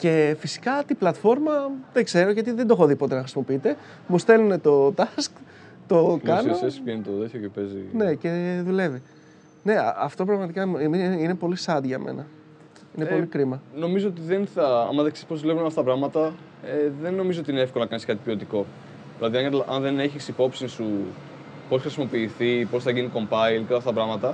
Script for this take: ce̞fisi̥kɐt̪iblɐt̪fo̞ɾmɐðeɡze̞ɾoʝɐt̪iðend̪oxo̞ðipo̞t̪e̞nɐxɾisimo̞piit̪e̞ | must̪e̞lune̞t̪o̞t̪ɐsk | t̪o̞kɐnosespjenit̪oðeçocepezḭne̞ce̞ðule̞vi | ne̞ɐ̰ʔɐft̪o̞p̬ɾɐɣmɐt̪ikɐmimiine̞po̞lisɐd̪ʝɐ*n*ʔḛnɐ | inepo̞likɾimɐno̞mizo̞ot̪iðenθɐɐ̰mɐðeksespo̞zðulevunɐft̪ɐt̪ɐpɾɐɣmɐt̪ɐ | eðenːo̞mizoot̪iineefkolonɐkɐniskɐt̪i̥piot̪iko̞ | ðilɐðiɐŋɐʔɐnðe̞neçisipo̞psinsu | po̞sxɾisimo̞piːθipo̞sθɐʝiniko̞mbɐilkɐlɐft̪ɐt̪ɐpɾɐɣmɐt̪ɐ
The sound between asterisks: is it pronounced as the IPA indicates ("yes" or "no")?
no